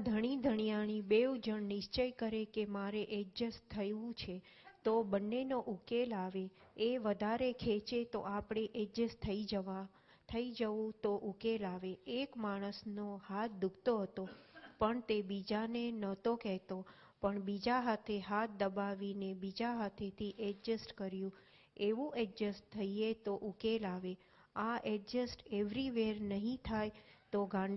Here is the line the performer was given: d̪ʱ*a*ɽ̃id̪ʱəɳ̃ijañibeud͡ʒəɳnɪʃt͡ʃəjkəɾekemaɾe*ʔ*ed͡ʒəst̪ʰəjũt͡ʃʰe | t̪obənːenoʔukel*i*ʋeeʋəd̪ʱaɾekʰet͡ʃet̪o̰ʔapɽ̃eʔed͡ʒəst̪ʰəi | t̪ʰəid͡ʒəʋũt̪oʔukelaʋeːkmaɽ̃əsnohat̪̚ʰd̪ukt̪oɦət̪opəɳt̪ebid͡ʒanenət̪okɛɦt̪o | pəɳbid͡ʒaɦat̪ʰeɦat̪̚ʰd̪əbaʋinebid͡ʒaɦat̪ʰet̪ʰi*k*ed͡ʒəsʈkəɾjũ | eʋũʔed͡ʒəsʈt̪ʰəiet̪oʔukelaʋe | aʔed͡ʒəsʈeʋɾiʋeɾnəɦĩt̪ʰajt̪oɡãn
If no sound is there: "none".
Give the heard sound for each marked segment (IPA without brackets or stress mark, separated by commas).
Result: ə, ʔ, a, ʔ